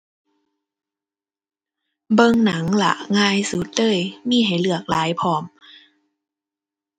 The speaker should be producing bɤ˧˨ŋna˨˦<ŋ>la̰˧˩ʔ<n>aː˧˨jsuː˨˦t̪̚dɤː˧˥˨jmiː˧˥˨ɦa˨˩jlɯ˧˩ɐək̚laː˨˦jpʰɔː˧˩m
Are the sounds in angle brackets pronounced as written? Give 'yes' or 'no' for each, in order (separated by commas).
yes, no